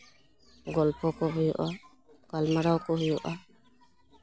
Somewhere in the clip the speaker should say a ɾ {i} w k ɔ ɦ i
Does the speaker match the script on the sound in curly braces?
no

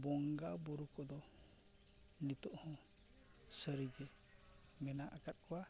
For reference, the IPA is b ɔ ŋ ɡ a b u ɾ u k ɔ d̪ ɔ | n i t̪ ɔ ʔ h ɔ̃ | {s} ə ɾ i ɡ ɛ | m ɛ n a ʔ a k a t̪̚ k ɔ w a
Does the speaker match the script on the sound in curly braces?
yes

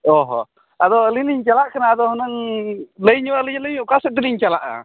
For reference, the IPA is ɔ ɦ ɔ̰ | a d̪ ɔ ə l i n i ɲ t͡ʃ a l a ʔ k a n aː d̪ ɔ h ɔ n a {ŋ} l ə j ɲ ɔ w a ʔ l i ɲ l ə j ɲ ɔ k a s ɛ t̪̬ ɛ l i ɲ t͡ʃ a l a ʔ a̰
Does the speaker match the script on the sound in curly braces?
yes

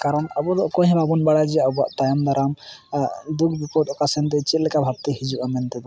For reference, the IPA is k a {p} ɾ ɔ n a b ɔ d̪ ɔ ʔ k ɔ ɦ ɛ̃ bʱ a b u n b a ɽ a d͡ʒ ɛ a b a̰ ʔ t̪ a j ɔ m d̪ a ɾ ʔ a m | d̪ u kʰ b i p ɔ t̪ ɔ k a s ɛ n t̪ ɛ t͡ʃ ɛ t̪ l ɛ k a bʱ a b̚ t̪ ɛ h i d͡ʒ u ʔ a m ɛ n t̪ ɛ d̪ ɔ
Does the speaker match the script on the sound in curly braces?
no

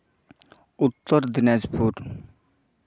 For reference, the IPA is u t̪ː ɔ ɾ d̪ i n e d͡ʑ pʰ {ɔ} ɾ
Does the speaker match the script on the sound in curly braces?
no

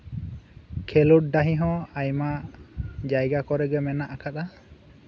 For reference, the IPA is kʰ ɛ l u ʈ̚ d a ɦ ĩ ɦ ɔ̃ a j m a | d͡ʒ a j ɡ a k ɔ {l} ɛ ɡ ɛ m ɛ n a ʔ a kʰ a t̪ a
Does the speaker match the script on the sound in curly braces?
no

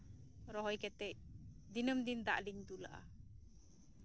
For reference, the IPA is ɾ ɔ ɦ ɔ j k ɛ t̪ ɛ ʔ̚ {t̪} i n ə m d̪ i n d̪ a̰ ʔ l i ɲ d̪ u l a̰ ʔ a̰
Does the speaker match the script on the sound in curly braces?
no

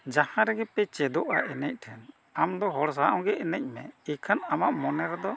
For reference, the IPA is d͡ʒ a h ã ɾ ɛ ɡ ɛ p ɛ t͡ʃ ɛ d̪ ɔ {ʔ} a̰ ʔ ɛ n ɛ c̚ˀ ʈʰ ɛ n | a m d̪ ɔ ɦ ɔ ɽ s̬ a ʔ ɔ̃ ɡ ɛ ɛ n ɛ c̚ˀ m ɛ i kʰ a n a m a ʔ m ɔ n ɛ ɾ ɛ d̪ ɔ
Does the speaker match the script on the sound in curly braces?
yes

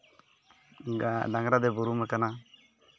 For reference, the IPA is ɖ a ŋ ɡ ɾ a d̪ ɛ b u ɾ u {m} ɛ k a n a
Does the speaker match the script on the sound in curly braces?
yes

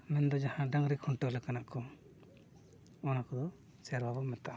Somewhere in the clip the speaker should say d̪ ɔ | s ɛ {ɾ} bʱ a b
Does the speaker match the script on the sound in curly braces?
yes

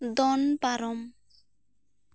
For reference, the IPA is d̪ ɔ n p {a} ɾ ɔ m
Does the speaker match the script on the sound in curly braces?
yes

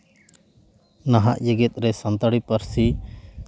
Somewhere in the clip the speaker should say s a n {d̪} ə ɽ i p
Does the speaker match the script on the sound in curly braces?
no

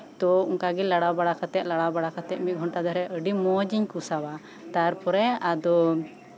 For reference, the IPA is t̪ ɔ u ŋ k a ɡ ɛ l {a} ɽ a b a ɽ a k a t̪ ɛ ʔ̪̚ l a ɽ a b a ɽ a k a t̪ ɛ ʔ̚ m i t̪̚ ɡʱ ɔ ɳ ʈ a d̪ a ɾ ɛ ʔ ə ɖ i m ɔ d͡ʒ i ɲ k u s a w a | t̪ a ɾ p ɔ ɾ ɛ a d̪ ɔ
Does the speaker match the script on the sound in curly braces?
yes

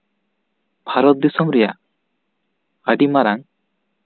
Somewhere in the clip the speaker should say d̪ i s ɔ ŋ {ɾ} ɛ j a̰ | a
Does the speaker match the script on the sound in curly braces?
yes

